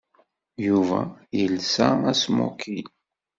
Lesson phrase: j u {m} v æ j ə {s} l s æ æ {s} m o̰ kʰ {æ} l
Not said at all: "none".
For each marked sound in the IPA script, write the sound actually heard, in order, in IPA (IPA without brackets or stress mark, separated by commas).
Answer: none, none, s, i